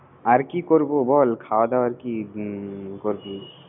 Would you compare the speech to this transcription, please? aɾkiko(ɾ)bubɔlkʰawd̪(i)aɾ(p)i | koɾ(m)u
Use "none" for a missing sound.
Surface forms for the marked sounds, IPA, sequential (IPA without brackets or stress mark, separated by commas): ɾ, a, k, b